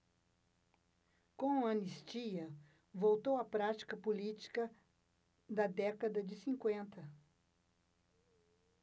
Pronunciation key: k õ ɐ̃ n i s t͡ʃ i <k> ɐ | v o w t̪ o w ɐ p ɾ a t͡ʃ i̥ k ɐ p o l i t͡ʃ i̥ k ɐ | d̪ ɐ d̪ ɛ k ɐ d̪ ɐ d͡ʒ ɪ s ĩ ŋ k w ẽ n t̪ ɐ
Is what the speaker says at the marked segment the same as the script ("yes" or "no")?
no